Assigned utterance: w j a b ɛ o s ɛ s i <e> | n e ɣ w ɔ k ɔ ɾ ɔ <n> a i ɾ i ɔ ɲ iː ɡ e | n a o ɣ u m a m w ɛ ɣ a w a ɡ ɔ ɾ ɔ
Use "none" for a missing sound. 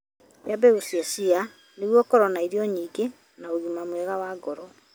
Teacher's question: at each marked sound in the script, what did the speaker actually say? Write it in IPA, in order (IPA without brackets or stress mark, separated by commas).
a, n